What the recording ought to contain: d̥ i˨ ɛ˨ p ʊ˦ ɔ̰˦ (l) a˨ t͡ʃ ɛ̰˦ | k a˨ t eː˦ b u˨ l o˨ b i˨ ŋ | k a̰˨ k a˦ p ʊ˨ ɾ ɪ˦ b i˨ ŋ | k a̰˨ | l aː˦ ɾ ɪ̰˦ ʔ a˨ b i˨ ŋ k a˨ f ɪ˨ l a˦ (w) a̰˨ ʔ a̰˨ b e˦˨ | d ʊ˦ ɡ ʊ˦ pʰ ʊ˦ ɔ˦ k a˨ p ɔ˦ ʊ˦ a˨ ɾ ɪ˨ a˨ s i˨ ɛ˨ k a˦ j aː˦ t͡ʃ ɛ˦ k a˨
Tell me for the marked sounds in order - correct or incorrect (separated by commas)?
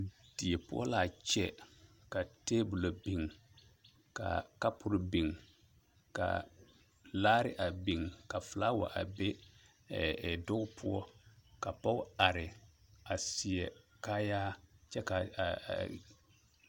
correct, correct